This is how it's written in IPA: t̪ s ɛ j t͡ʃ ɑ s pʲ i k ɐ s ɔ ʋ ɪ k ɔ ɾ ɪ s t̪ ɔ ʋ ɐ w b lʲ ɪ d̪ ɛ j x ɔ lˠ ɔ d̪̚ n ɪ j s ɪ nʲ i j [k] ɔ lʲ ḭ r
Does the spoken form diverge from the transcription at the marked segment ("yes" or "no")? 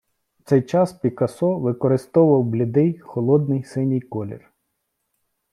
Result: no